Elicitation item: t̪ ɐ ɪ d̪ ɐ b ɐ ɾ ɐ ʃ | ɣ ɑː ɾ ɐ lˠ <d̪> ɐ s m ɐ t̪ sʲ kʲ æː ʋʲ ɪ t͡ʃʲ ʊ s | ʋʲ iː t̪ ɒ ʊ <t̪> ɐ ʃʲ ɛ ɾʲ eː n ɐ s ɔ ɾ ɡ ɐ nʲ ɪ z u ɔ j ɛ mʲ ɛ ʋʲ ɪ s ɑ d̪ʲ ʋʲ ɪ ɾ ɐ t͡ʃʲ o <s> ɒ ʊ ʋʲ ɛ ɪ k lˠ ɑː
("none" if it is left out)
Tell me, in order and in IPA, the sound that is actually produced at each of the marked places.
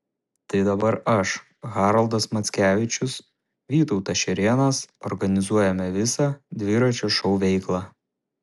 d̪, t̪, ʃ

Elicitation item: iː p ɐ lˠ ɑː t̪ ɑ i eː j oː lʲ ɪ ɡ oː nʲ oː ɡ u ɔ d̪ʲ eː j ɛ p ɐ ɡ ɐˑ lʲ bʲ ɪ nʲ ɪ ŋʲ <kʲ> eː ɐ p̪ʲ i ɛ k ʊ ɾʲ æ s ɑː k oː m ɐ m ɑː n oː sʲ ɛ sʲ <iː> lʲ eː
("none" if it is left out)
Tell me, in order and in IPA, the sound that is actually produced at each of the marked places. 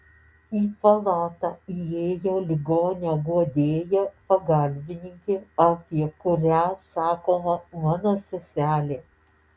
kʲ, æː

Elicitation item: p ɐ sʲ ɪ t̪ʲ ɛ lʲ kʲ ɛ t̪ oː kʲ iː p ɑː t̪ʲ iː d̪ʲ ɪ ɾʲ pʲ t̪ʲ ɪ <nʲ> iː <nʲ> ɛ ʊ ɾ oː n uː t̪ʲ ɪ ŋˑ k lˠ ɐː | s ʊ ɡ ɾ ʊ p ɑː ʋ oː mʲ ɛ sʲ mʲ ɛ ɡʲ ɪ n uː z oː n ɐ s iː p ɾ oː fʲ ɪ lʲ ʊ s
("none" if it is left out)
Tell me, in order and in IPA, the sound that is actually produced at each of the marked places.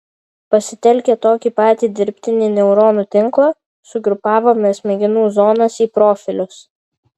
nʲ, nʲ

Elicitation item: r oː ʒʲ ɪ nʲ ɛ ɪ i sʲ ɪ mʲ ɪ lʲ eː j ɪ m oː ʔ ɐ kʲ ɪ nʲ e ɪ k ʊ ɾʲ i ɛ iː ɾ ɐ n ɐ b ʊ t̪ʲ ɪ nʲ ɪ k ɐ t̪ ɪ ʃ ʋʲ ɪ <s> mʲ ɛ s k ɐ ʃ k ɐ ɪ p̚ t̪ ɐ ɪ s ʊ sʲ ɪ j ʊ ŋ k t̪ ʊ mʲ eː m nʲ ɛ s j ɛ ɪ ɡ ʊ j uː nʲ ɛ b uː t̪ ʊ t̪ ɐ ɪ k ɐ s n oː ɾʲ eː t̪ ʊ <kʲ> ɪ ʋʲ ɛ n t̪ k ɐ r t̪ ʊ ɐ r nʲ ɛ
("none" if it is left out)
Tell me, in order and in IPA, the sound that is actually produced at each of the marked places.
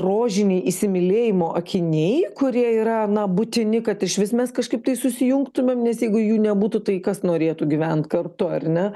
s, ɡʲ

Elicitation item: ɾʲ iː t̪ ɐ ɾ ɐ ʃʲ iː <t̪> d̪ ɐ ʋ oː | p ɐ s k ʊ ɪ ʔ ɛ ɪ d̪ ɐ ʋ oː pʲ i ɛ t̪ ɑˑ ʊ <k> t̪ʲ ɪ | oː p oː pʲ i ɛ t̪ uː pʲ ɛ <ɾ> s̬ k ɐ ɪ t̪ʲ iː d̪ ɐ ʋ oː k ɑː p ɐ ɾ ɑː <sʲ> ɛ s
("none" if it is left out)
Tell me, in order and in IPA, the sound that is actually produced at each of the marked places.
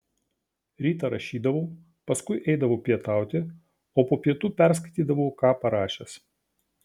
none, none, ɾ, ʃʲ

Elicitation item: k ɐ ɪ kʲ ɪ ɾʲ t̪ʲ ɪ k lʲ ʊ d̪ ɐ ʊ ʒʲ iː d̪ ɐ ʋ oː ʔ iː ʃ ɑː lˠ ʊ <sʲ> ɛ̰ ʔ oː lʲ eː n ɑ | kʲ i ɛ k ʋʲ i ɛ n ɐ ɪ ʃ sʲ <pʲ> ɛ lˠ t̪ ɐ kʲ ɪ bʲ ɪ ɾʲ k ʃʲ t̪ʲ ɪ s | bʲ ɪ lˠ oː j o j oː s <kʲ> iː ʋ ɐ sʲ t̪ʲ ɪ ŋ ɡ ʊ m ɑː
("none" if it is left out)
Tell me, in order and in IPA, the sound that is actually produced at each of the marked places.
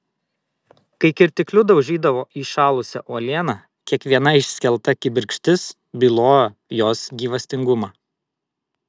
sʲ, kʲ, ɡʲ

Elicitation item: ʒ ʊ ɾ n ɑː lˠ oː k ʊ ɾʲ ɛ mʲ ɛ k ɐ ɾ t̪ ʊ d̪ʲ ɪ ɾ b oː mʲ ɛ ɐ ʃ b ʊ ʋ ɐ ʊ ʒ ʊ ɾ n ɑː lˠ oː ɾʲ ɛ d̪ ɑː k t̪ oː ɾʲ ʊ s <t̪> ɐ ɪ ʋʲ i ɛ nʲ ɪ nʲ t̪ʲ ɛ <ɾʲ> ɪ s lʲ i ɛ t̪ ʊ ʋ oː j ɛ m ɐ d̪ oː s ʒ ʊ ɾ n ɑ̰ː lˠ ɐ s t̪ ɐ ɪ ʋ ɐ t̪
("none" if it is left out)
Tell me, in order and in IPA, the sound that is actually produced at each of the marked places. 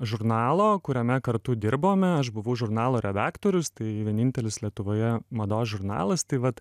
t̪, lʲ

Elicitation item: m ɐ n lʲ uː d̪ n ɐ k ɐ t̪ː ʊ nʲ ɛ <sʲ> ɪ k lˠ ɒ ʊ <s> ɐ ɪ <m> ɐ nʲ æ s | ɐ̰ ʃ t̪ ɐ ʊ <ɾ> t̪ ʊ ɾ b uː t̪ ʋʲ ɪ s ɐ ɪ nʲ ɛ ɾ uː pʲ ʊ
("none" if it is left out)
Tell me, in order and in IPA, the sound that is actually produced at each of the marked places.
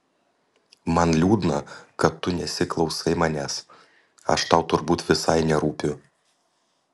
sʲ, s, m, none

